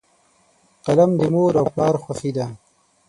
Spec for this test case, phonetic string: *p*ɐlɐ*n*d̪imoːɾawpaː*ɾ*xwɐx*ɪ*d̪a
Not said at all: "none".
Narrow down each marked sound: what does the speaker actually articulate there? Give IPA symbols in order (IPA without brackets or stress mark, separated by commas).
q, m, ɾ, i